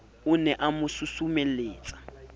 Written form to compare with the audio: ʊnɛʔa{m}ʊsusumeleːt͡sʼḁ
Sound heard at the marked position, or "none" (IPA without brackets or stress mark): m